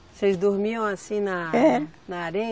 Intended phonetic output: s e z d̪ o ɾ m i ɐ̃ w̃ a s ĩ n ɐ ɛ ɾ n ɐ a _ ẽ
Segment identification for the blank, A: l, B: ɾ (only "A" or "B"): B